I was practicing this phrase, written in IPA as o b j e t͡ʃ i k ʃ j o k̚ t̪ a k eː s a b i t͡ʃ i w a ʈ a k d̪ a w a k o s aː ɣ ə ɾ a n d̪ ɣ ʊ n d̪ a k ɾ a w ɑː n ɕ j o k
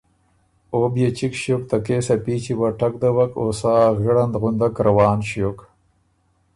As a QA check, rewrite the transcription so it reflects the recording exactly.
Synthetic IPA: o b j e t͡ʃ i k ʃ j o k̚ t̪ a k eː s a p i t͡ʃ i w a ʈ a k d̪ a w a k o s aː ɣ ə ɽ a n d̪ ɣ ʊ n d̪ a k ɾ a w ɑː n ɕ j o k

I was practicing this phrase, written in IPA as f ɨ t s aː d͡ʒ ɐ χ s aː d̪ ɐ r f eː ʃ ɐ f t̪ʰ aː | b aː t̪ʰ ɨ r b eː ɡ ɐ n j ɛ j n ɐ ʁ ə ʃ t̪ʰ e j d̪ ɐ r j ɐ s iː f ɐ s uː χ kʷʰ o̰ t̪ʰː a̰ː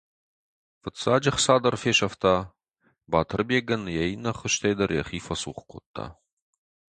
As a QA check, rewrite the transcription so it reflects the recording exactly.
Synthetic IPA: f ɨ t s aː d͡ʒ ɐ χ s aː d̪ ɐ r f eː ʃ ɐ f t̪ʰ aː | b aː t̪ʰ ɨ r b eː ɡ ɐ n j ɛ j n ɐ χ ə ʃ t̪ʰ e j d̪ ɐ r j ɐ χ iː f ɐ s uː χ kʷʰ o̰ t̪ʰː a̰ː

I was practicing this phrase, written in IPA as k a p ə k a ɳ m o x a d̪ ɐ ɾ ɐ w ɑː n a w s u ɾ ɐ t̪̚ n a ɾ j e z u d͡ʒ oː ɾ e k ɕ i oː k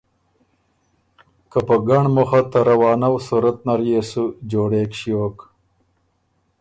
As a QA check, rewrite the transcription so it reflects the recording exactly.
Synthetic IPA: k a p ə ɡ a ɳ m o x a t̪ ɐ ɾ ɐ w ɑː n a w s u ɾ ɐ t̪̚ n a ɾ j e s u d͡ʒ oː ɽ e k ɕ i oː k

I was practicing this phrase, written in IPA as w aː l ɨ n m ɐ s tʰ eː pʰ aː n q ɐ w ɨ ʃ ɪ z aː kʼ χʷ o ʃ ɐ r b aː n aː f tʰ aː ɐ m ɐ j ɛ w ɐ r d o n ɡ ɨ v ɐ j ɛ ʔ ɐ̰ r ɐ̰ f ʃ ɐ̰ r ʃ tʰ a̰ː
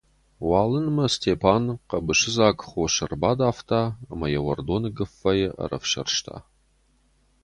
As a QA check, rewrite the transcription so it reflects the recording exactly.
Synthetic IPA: w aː l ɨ n m ɐ s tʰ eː pʰ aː n q ɐ b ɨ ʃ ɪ z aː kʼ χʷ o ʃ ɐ r b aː d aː f tʰ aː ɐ m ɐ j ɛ w ɐ r d o n ɡ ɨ f ɐ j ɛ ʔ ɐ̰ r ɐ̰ f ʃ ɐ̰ r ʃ tʰ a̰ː

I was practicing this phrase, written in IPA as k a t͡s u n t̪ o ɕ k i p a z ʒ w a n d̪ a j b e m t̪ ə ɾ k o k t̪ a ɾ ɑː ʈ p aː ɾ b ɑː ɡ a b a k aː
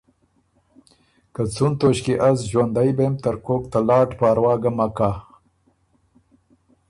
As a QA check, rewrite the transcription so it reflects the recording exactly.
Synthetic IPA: k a t͡s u n t̪ o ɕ k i ʔ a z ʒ w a n d̪ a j b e m t̪ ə ɾ k o k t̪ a l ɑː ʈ p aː ɾ w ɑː ɡ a m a k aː

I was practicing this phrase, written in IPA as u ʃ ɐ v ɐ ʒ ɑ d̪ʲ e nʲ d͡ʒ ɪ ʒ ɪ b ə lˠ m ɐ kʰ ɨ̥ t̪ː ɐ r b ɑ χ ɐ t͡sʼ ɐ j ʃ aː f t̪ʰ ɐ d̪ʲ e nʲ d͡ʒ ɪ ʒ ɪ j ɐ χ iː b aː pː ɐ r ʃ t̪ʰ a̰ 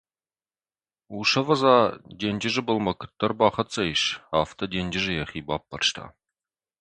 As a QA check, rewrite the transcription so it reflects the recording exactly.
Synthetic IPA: u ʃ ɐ v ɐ z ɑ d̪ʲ e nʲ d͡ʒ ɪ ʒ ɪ b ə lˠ m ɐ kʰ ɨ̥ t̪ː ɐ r b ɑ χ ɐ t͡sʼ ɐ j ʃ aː f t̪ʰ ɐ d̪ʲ e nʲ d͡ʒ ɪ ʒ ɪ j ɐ χ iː b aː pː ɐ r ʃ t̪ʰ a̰

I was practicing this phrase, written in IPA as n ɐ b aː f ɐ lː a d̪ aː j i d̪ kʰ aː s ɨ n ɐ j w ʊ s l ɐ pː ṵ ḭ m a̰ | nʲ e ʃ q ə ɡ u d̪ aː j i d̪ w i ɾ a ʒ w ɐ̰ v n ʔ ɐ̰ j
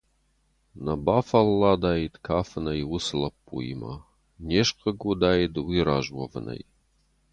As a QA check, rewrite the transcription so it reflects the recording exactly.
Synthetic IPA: n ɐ b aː f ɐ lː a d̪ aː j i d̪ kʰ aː f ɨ n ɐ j w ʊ s l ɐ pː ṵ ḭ m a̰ | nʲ e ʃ q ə ɡ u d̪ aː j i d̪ w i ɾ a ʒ w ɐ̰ v n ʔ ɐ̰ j

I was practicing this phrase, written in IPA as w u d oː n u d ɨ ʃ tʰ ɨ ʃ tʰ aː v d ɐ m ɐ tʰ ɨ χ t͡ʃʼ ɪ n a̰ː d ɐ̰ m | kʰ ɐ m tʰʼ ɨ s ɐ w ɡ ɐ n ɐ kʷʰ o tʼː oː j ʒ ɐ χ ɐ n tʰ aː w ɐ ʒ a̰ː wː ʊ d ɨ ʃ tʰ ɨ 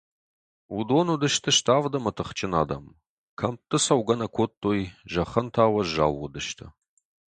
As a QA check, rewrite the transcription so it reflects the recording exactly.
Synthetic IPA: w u d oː n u d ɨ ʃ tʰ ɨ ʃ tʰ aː v d ɐ m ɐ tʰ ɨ χ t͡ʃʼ ɪ n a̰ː d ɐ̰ m | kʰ ɐ m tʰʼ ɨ s ɐ w ɡ ɐ n ɐ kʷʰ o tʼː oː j ʒ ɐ χ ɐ n tʰ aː w ɐ ʒ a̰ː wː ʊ d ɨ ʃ tʰ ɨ

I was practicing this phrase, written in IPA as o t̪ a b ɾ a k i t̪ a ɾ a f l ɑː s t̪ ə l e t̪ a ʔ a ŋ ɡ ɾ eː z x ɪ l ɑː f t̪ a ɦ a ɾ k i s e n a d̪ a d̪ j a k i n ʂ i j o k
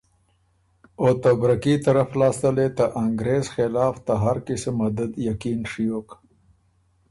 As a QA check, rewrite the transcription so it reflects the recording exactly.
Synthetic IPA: o t̪ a b ɾ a k i t̪ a ɾ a f l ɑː s t̪ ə l e t̪ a ʔ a ŋ ɡ ɾ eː z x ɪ l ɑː f t̪ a ɦ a ɾ k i s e m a d̪ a d̪ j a k i n ʂ i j o k

